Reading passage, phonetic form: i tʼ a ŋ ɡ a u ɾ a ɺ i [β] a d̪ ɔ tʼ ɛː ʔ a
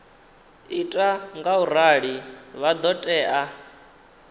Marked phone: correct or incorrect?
correct